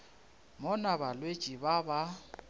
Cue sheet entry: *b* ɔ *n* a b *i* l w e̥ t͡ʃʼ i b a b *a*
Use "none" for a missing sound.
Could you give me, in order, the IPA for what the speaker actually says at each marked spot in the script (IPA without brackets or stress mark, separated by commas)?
m, n, a, a